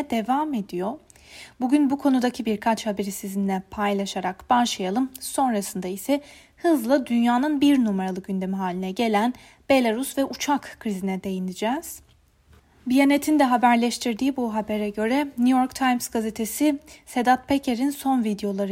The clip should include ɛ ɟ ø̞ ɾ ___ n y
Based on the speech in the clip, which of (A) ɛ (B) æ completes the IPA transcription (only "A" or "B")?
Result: A